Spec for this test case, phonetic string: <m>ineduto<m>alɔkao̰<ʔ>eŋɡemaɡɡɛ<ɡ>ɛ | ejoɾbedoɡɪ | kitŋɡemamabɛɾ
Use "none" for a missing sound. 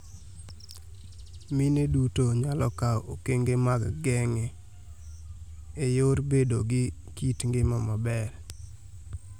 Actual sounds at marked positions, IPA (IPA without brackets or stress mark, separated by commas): m, ɲ, k, ŋ